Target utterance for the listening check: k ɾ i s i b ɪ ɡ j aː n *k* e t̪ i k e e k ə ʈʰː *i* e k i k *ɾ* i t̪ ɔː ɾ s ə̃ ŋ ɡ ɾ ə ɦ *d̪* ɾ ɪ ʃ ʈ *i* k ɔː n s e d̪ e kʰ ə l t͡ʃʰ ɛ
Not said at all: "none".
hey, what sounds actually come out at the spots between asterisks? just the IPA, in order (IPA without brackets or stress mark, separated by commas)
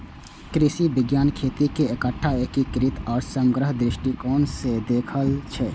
kʰ, a, ɾ, d̪, i